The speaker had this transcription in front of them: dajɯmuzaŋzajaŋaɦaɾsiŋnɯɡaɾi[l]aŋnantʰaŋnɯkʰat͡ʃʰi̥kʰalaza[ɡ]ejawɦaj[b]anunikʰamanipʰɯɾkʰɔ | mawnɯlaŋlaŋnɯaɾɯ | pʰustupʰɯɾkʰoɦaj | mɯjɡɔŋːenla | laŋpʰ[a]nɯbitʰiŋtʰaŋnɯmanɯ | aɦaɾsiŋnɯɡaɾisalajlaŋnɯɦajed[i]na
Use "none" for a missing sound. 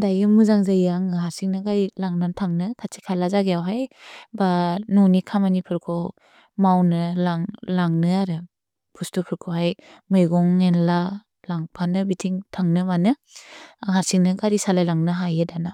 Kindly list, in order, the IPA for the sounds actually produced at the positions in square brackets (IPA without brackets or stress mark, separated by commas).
l, ɡ, b, a, a